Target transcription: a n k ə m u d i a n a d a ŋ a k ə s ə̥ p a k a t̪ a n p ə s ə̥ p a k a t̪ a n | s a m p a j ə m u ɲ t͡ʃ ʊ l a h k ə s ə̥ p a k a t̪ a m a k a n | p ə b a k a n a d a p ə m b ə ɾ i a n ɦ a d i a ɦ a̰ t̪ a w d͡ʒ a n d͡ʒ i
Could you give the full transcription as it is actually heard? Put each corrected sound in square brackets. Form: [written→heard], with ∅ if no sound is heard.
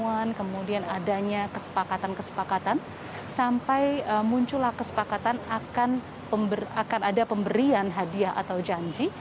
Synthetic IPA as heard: a n k ə m u d i a n a d a [ŋ→ɲ] a k ə s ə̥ p a k a t̪ a n [p→k] ə s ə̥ p a k a t̪ a n | s a m p a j ə m u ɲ t͡ʃ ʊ l a h k ə s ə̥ p a k a t̪ a [m→n] a k a n | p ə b a k a n a d a p ə m b ə ɾ i a n ɦ a d i a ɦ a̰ t̪ a w d͡ʒ a [n→ɲ] d͡ʒ i